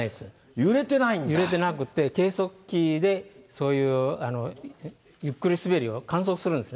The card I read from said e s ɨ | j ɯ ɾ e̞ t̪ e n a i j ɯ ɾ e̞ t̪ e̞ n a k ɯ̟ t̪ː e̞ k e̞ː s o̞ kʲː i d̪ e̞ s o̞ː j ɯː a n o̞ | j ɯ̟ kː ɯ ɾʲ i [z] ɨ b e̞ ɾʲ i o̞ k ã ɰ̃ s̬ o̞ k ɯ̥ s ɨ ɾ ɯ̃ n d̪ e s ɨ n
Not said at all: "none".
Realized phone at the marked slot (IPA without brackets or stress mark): s